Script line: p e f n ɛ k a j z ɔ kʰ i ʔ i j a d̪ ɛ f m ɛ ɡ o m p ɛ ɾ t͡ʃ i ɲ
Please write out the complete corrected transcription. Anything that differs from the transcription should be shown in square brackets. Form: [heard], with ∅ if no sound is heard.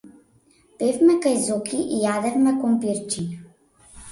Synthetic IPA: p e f [m] ɛ k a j z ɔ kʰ i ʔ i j a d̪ ɛ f m ɛ [k] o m p [i] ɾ t͡ʃ i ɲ